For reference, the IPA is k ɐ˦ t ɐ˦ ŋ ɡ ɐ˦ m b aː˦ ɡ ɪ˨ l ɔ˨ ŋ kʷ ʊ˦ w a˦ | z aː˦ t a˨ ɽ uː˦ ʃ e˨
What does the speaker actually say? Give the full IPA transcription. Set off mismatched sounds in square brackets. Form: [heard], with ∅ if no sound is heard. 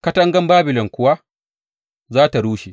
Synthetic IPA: k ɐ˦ t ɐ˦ ŋ ɡ ɐ˦ m b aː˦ [b] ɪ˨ l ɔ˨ ŋ kʷ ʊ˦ w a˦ | z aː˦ t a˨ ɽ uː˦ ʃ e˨